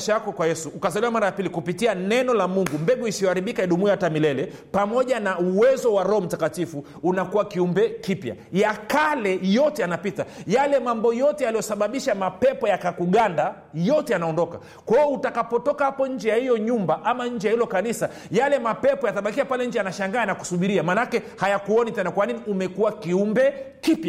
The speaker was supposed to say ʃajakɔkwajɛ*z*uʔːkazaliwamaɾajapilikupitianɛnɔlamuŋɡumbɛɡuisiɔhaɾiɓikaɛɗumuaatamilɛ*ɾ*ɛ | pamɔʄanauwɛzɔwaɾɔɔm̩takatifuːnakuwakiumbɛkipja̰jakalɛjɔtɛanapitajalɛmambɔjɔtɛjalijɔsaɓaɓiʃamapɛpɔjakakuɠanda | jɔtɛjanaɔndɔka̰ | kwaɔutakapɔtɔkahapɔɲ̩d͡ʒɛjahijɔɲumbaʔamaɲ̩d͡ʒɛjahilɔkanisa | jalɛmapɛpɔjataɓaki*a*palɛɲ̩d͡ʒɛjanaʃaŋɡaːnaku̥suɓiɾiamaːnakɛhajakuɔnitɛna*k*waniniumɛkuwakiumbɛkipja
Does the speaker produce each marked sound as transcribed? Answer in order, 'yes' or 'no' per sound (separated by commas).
no, no, yes, yes